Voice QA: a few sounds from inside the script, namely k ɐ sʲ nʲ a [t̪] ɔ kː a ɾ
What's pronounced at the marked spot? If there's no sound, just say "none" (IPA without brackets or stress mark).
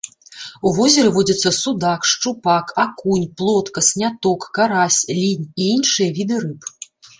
t̪